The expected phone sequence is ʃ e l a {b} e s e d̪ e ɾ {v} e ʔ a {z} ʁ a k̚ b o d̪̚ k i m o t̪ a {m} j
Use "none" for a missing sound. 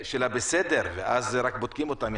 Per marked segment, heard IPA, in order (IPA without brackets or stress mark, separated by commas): b, v, z, m